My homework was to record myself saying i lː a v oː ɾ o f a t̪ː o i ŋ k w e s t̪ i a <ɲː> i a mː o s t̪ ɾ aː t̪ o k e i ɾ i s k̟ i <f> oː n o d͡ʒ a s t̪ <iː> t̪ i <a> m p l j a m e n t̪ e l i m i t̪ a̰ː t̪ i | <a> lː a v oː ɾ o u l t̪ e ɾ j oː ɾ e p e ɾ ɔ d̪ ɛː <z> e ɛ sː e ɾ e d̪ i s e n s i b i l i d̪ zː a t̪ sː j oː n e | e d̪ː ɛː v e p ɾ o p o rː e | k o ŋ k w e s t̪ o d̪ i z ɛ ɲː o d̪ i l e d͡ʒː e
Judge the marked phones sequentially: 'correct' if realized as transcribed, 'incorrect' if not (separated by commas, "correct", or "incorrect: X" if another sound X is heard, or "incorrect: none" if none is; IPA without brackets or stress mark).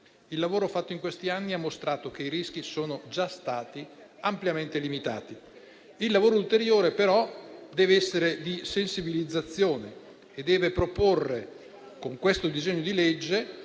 incorrect: nː, incorrect: s, incorrect: aː, correct, incorrect: i, incorrect: v